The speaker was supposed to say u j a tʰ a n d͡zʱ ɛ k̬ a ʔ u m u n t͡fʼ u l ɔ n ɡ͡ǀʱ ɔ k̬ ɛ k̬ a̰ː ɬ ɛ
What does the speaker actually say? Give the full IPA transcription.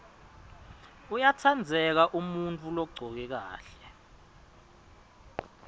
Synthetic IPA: u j a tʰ a n d͡zʱ ɛ k̬ a ʔ u m u n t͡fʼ u l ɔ ɡ͡ǀʱ ɔ k̬ ɛ k̬ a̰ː ɬ ɛ